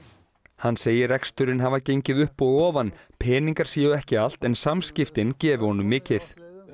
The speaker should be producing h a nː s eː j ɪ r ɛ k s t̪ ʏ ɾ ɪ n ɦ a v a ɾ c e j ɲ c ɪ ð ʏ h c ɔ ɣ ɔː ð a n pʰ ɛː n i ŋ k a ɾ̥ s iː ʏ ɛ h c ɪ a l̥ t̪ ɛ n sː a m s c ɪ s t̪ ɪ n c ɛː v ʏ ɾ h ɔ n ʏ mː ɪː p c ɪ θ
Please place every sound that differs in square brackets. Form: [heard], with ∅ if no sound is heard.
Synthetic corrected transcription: h a nː s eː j ɪ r ɛ k s t̪ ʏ ɾ ɪ n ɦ a v a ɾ c e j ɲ c ɪ ð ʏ h [p] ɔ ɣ ɔː [v] a n pʰ ɛː n i ŋ k a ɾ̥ s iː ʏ ɛ h c ɪ a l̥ t̪ ɛ n [s] a m s c ɪ [f] t̪ ɪ n c ɛː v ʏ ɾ h ɔ n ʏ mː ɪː [∅] c ɪ θ

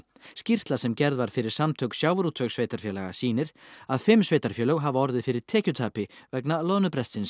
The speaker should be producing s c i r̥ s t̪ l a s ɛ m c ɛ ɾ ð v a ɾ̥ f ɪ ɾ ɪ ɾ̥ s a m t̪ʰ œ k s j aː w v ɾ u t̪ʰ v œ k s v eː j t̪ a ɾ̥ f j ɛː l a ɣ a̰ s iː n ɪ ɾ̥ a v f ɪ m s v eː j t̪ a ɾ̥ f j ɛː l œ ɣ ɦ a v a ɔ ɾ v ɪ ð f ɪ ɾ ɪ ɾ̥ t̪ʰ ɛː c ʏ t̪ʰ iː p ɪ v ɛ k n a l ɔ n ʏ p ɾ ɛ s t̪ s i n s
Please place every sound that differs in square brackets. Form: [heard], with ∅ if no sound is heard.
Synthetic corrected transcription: s c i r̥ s t̪ l a s ɛ m c ɛ ɾ ð v a ɾ̥ f ɪ ɾ ɪ ɾ̥ s a m t̪ʰ œ k s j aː w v ɾ u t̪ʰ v œ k s v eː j t̪ a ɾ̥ f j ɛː l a ɣ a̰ s iː n ɪ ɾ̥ a [ð] f ɪ m s v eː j t̪ a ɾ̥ f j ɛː l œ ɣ ɦ a v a ɔ ɾ [ð] ɪ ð f ɪ ɾ ɪ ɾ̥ t̪ʰ ɛː c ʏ t̪ʰ [aː] p ɪ v ɛ k n a l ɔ n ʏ p ɾ ɛ s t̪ s [ɪ] n s

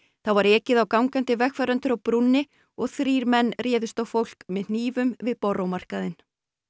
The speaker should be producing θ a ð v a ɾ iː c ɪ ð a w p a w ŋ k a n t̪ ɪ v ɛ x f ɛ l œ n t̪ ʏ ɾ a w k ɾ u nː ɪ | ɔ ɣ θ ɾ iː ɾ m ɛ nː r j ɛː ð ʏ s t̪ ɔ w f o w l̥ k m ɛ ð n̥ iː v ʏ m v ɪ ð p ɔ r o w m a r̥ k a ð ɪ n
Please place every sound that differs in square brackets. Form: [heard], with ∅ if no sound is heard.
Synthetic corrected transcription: θ a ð v a ɾ [ɛː] c ɪ ð a w [k] a w ŋ k a n t̪ ɪ v ɛ x f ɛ [ɾ] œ n t̪ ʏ ɾ a w [p] ɾ u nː ɪ | ɔ ɣ θ ɾ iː ɾ m ɛ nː r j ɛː ð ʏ s t̪ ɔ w f o w l̥ k m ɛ ð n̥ iː v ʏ m v ɪ ð p ɔ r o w m a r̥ k a ð ɪ n

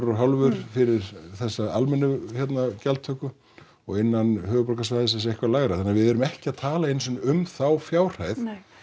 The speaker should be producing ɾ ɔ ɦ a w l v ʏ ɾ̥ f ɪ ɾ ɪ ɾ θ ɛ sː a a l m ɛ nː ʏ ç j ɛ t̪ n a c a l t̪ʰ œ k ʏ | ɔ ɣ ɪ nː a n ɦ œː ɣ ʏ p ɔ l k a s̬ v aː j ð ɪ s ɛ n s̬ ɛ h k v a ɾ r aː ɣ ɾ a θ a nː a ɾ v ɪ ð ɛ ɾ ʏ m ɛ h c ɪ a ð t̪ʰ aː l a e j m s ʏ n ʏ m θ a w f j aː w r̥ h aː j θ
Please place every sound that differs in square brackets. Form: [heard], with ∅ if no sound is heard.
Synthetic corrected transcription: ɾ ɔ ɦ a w l v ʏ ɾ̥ f ɪ ɾ ɪ ɾ θ ɛ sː a a l m ɛ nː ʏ ç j ɛ t̪ n a c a l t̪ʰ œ k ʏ | ɔ ɣ ɪ nː a n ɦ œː ɣ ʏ p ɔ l k a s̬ v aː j ð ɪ s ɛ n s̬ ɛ h k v a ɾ [l] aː ɣ ɾ a θ a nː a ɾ v ɪ ð ɛ ɾ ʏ m ɛ h c ɪ a ð t̪ʰ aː l a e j [n] s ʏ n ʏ m θ a w f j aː w r̥ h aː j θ

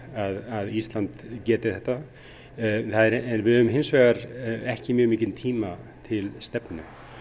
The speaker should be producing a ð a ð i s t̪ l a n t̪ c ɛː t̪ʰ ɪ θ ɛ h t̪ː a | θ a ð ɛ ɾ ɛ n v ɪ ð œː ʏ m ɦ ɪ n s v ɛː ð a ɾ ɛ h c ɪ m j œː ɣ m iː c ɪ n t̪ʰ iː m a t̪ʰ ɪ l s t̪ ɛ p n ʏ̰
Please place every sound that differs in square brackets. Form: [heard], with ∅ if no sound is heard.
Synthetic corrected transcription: a ð a ð i s t̪ l a n t̪ c ɛː [t̪] ɪ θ ɛ h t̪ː a | θ a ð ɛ ɾ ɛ n v ɪ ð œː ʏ m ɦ ɪ n s v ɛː [ɣ] a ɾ ɛ h c ɪ m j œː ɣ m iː c ɪ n t̪ʰ iː m a t̪ʰ ɪ l s t̪ ɛ p n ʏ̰

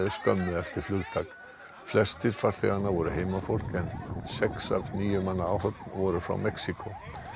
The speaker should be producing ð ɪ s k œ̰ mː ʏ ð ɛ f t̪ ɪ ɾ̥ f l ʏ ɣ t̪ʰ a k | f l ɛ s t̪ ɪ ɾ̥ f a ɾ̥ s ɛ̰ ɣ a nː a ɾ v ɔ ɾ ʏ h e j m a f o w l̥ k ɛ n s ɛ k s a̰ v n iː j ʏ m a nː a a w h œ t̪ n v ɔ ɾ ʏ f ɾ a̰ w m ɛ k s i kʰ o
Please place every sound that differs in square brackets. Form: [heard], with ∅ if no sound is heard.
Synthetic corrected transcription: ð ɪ s k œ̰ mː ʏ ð ɛ f t̪ ɪ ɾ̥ f l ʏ ɣ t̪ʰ a k | f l ɛ s t̪ ɪ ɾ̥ f a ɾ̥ [θ] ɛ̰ ɣ a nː a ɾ v ɔ ɾ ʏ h e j m a f o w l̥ k ɛ n s ɛ k s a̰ v n iː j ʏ m a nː a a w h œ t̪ n v ɔ ɾ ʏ f ɾ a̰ w m ɛ k s i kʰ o

